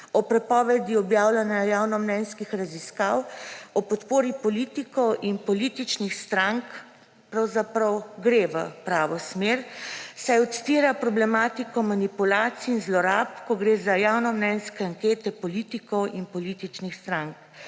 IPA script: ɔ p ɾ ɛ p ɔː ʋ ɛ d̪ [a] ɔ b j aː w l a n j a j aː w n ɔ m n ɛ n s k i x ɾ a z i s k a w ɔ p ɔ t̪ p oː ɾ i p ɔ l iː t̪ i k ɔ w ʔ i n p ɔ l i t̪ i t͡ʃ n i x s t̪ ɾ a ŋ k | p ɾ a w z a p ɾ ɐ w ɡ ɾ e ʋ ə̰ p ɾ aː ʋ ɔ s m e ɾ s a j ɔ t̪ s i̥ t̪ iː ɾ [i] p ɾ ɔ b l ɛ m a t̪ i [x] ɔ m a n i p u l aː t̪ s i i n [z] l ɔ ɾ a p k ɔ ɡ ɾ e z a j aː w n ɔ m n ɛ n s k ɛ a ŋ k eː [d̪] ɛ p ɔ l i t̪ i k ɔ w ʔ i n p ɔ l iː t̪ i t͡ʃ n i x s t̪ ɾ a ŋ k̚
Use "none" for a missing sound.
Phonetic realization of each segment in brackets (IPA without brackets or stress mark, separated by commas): i, a, k, z, t̪